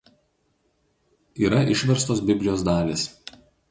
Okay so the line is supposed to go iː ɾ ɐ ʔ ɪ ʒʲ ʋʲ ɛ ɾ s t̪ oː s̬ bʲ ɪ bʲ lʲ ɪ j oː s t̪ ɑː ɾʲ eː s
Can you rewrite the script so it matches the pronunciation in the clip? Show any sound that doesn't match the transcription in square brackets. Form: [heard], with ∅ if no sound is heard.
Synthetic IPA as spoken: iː ɾ ɐ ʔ ɪ [ʃʲ] ʋʲ ɛ ɾ s t̪ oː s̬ bʲ ɪ bʲ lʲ ɪ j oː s [d̪] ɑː [lʲ] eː s